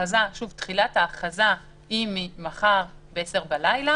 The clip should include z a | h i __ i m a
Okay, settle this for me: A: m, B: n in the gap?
A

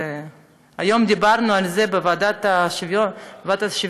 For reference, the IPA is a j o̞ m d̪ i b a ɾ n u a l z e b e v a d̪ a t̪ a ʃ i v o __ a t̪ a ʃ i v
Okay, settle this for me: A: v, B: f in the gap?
A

